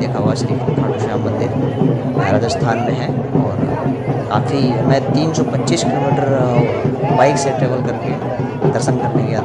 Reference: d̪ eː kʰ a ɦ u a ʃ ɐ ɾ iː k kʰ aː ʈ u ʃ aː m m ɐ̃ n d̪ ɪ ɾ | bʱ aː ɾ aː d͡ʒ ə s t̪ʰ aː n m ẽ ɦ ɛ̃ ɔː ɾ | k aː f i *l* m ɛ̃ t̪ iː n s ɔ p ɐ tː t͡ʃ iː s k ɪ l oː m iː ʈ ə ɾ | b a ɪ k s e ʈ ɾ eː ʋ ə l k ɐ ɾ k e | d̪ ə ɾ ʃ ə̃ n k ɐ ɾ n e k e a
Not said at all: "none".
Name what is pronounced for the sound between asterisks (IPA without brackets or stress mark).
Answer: none